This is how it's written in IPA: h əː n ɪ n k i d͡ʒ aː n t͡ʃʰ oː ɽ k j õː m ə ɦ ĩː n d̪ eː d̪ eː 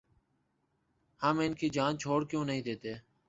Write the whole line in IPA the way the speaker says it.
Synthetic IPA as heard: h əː m ɪ n k iː d͡ʒ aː n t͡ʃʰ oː ɽ k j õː n ə ɦ ĩː d̪ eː t̪ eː

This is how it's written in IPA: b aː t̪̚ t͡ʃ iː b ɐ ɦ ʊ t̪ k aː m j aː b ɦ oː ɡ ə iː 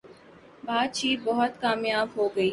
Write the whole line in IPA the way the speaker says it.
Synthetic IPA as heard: b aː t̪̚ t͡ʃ iː b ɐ ɦ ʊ t̪ k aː m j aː b ɦ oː ɡ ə iː

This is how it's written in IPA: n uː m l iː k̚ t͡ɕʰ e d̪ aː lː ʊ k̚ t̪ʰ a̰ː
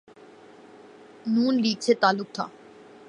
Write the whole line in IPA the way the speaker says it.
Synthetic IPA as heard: n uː n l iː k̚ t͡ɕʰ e t̪ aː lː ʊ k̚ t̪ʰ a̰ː

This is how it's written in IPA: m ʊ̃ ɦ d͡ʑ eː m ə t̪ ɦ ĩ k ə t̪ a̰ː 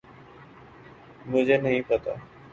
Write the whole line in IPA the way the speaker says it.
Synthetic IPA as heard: m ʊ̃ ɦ d͡ʑ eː n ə ɦ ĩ p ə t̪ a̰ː

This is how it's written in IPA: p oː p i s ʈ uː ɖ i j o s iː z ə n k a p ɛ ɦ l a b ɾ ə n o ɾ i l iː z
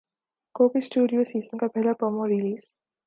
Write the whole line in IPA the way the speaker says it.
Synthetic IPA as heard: k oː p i s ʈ uː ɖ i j o s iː z ə n k a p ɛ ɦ l a p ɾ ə m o ɾ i l iː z

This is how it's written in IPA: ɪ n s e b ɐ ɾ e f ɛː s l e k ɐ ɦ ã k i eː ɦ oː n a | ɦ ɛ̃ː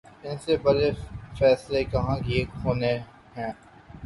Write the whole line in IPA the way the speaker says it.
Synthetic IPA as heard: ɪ n s e b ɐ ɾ e f ɛː s l e k ɐ ɦ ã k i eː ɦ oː n e | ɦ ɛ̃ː

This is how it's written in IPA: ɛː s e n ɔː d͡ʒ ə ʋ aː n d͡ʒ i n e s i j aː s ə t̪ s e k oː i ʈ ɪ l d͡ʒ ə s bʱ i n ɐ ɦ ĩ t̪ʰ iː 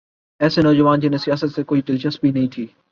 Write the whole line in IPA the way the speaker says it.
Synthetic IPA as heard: ɛː s e n ɔː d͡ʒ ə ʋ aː n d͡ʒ ɪ n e s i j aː s ə t̪ s e k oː i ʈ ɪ l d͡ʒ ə s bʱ i n ɐ ɦ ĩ t̪ʰ iː

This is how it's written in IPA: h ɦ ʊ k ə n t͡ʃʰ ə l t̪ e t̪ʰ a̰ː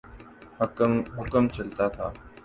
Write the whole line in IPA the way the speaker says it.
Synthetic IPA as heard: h ɦ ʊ k ə m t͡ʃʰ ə l t̪ a t̪ʰ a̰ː

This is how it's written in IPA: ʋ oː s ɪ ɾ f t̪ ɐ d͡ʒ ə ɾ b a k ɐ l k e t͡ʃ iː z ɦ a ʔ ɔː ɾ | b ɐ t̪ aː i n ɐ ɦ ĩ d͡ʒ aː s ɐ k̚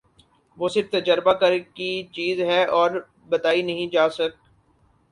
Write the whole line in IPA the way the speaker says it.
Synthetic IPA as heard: ʋ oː s ɪ ɾ f t̪ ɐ d͡ʒ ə ɾ b a k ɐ ɾ k i t͡ʃ iː z ɦ ɛ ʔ ɔː ɾ | b ɐ t̪ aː i n ɐ ɦ ĩ d͡ʒ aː s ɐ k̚

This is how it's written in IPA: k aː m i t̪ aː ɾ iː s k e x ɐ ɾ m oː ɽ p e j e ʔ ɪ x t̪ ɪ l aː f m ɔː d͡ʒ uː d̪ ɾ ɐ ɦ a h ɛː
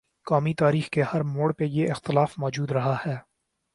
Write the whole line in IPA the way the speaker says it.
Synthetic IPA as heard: k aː m i t̪ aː ɾ iː x k e h ɐ ɾ m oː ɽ p e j e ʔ ɪ x t̪ ɪ l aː f m ɔː d͡ʒ uː d̪ ɾ ɐ ɦ a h ɛː

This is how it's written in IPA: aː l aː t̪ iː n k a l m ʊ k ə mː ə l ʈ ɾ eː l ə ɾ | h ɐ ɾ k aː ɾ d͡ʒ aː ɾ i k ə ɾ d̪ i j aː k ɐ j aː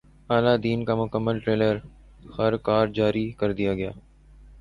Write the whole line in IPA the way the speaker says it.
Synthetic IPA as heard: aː l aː d̪ iː n k a m ʊ k ə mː ə l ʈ ɾ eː l ə ɾ | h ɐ ɾ k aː ɾ d͡ʒ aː ɾ i k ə ɾ d̪ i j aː ɡ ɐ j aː

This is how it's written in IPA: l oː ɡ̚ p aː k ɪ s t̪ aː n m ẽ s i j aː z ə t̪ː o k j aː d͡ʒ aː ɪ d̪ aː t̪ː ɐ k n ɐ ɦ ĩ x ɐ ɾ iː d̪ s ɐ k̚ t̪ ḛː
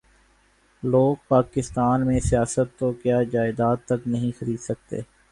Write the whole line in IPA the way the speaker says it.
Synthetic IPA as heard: l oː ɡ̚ p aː k ɪ s t̪ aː n m ẽ s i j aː s ə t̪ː o k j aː d͡ʒ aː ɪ d̪ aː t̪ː ɐ k n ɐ ɦ ĩ x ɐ ɾ iː d̪ s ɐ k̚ t̪ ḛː

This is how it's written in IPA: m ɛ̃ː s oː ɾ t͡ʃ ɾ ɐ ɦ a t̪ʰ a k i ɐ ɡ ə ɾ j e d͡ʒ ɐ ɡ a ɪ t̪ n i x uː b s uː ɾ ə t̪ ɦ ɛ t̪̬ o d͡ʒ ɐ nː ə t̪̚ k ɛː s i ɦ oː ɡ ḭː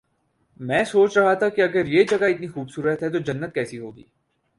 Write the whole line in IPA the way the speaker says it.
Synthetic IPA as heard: m ɛ̃ː s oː t͡ʃ ɾ ɐ ɦ a t̪ʰ a k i ɐ ɡ ə ɾ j e d͡ʒ ɐ ɡ a ɪ t̪ n i x uː b s uː ɾ ə t̪ ɦ ɛ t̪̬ o d͡ʒ ɐ nː ə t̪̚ k ɛː s i ɦ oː ɡ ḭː

